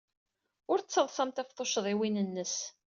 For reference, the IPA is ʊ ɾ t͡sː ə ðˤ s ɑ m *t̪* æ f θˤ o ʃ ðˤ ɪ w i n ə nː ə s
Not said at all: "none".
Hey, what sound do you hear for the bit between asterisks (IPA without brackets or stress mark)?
t̪